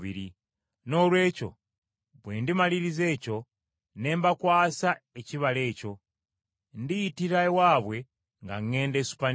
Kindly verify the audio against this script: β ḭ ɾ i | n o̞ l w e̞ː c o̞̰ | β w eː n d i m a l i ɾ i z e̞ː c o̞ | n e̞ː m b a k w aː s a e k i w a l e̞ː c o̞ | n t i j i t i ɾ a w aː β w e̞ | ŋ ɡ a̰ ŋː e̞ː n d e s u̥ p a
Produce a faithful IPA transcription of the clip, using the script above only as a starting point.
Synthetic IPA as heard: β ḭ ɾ i | n o̞ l w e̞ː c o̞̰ | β w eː n d i m a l i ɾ i z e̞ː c o̞ | n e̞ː m b a k w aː s a e c i β a l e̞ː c o̞ | n d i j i t i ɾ a w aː β w e̞ | ŋ ɡ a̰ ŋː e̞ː n d e s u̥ p a